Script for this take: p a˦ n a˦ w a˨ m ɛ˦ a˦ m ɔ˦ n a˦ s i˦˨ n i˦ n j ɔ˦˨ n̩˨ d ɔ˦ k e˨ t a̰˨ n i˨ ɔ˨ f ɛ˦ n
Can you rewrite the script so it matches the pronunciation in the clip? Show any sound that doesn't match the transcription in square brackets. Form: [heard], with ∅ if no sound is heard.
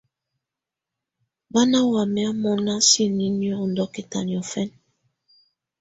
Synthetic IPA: [b] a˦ n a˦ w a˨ m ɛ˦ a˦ m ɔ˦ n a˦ s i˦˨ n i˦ n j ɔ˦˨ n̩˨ d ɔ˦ k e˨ t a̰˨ n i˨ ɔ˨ f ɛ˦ n